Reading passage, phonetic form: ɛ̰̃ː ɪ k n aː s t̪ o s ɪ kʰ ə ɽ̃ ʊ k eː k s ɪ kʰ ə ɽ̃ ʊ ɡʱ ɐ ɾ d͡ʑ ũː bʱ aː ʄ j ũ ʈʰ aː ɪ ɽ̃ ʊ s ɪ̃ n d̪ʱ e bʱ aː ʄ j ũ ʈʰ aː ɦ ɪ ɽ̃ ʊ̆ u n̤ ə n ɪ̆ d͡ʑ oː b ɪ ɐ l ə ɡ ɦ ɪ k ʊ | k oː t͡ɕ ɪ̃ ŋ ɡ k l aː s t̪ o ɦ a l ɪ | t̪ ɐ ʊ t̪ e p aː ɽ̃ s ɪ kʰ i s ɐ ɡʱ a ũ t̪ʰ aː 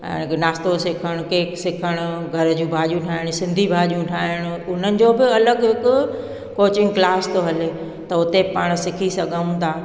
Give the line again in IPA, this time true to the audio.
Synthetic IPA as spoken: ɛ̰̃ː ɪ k n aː s t̪ o s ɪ kʰ ə ɽ̃ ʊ k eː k s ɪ kʰ ə ɽ̃ ʊ ɡʱ ɐ ɾ d͡ʑ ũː bʱ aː ʄ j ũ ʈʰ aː ɪ ɽ̃ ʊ s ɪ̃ n d̪ʱ i bʱ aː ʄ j ũ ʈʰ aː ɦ ɪ ɽ̃ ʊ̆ ʊ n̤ ə n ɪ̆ d͡ʑ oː b ɪ ɐ l ə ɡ ɦ ɪ k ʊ | k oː t͡ɕ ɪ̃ ŋ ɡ k l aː s t̪ o ɦ ɐ l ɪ | t̪ ɐ ʊ t̪ e p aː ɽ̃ s ɪ kʰ i s ɐ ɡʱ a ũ t̪ʰ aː